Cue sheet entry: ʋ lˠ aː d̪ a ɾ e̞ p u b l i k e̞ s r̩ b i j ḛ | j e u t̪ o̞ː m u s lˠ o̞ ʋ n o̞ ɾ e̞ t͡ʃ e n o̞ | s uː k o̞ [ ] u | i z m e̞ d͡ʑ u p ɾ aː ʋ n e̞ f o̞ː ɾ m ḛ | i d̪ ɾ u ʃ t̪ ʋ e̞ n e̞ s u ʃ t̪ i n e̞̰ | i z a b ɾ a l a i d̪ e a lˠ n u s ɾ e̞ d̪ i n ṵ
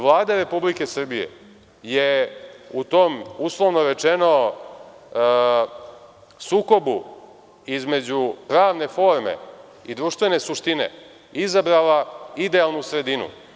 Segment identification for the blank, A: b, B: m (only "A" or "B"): A